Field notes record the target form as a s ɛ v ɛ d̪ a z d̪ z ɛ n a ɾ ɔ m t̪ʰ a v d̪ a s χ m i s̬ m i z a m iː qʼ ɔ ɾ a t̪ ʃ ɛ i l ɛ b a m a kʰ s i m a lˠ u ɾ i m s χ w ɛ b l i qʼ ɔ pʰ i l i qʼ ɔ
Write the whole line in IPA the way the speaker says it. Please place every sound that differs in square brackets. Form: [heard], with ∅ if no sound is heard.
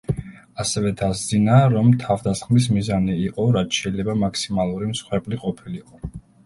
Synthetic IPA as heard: a s ɛ v ɛ d̪ a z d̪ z [i] n a ɾ ɔ m t̪ʰ a v d̪ a s χ m i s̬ m i z a [n] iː qʼ ɔ ɾ a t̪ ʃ ɛ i l ɛ b a m a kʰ s i m a lˠ u ɾ i m s χ w ɛ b l i qʼ ɔ pʰ i l i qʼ ɔ